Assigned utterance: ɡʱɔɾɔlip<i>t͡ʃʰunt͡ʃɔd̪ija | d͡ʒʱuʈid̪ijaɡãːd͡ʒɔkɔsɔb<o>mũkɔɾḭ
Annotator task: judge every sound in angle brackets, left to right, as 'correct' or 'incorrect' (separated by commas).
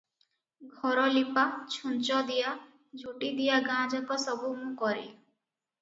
incorrect, incorrect